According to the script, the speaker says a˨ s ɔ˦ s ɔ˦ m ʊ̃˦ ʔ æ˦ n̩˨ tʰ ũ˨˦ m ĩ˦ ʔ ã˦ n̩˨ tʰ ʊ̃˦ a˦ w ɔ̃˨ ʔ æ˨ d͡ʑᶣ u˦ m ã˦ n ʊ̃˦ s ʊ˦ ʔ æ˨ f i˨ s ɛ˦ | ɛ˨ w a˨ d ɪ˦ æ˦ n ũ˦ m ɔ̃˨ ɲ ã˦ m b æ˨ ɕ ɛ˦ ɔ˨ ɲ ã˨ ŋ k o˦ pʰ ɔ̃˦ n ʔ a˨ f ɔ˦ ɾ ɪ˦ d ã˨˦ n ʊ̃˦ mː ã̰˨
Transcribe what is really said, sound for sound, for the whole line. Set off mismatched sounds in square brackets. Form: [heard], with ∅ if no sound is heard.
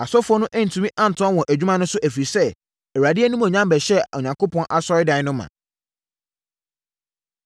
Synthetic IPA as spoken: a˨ s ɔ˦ [f] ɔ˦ [n] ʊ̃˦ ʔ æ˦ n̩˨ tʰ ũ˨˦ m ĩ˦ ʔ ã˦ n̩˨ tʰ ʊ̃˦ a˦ w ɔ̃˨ ʔ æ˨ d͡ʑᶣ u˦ m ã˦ n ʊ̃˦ s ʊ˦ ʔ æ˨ f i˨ s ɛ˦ | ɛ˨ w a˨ d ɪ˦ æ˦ n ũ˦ m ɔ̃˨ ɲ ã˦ m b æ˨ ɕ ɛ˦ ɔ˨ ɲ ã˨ ŋ k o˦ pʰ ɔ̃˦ n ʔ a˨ [s] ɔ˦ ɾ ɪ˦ d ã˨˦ n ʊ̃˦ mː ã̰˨